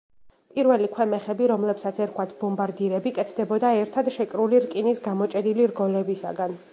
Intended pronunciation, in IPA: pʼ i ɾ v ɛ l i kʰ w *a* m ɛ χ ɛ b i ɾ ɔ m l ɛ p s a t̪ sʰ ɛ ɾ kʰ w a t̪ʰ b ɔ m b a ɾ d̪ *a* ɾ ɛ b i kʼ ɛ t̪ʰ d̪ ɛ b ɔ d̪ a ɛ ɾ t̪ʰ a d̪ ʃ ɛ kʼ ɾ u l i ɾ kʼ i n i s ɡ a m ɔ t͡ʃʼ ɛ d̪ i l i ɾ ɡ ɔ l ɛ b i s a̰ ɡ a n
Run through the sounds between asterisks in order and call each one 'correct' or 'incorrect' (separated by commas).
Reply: incorrect, incorrect